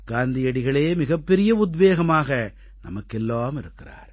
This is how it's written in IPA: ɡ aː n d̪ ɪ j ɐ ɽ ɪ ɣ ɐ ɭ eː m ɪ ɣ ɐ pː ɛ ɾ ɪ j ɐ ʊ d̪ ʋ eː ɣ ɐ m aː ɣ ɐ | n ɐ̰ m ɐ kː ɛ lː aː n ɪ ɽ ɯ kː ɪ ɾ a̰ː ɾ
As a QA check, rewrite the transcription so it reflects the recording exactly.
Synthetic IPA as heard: ɡ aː n d̪ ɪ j ɐ ɽ ɪ ɣ ɐ ɭ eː m ɪ ɣ ɐ pː ɛ ɾ ɪ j ɐ ʊ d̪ ʋ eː ɣ ɐ m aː ɣ ɐ | n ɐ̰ m ɐ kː ɛ lː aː m ɪ ɾ ɯ kː ɪ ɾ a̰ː ɾ